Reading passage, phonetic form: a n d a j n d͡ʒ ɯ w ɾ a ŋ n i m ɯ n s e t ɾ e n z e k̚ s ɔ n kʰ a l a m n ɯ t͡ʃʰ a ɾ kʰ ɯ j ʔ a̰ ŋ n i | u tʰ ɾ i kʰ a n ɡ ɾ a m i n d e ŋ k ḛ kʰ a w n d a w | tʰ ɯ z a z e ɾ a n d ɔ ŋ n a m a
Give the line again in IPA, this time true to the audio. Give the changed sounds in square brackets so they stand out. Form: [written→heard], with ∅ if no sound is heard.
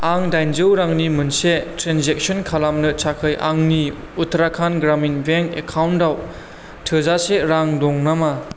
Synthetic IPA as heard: a [n→ŋ] d a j n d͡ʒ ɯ w ɾ a ŋ n i m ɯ n s e t ɾ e n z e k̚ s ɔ n kʰ a l a m n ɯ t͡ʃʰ a [ɾ→∅] kʰ ɯ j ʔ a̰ ŋ n i | u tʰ ɾ [i→a] kʰ a n ɡ ɾ a m i n [d→b] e ŋ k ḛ kʰ a w n d a w | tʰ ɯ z a [z→s] e ɾ a [n→ŋ] d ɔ ŋ n a m a